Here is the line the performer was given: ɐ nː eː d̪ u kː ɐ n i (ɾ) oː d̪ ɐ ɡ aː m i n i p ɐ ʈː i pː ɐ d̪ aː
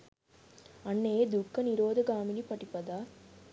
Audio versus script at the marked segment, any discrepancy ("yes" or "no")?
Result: no